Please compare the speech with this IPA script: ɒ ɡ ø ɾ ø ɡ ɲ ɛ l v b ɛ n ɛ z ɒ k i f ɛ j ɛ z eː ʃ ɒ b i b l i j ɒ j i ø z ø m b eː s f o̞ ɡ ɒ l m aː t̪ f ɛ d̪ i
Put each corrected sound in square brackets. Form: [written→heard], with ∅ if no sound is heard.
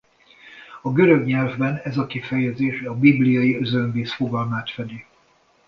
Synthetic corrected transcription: ɒ ɡ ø ɾ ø ɡ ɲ ɛ l v b ɛ n ɛ z ɒ k i f ɛ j ɛ z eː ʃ ɒ b i b l i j ɒ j i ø z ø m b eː s f o̞ ɡ ɒ l m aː t̪ f ɛ d̪ i